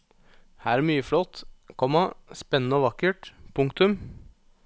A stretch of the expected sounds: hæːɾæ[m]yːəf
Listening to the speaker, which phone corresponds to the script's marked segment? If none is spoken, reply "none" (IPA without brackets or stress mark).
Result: m